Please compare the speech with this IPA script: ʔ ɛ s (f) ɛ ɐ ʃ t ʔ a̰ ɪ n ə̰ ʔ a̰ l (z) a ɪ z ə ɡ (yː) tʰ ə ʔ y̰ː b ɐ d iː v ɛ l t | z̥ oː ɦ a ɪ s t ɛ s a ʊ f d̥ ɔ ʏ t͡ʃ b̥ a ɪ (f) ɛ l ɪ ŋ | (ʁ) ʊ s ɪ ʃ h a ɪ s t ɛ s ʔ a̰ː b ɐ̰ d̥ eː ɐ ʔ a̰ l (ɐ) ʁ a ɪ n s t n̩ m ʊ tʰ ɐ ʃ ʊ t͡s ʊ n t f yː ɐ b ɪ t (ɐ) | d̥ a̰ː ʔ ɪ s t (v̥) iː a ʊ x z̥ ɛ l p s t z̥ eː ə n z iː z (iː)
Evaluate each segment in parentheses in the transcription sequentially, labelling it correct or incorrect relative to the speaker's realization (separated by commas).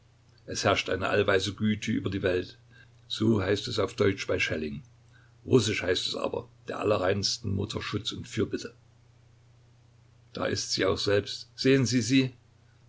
incorrect, incorrect, correct, incorrect, correct, correct, incorrect, incorrect, correct